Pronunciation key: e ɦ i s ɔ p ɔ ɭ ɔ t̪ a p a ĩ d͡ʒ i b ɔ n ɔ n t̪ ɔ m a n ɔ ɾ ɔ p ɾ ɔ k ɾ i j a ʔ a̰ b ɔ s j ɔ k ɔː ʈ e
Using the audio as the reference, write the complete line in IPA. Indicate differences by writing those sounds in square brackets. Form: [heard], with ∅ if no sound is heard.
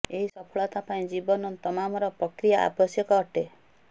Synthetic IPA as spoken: e ɦ i s ɔ [pʰ] ɔ ɭ ɔ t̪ a p a ĩ d͡ʒ i b ɔ n ɔ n t̪ ɔ m a [m] ɔ ɾ ɔ p ɾ ɔ k ɾ i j a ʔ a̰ b ɔ s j ɔ k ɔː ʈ e